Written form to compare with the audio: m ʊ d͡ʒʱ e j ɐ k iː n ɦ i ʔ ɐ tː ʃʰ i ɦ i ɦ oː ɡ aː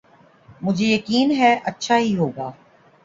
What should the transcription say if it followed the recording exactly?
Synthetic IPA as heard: m ʊ d͡ʒʱ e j ɐ k iː n ɦ ɛ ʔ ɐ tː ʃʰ a ɦ i ɦ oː ɡ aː